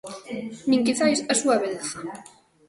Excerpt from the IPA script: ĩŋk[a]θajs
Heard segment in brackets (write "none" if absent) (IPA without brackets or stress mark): i